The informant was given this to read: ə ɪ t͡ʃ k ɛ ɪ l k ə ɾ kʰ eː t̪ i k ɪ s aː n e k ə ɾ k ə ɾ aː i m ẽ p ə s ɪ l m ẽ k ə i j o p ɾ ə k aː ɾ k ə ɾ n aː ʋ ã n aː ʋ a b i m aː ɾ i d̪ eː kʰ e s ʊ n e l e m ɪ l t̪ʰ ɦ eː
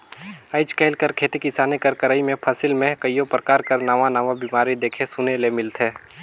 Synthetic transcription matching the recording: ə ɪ t͡ʃ k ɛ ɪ l k ə ɾ kʰ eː t̪ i k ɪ s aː n e k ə ɾ k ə ɾ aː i m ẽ pʰ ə s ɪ l m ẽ k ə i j o p ɾ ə k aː ɾ k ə ɾ n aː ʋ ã n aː ʋ a b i m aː ɾ i d̪ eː kʰ e s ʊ n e l e m ɪ l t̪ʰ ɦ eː